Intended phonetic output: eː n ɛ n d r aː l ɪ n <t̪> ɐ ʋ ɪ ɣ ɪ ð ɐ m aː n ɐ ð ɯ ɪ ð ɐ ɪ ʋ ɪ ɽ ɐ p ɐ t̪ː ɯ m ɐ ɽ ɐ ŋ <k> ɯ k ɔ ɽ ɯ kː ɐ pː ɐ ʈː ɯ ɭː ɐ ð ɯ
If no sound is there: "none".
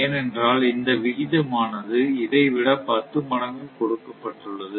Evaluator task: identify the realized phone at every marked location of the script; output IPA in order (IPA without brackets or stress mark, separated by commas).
d̪, ɡ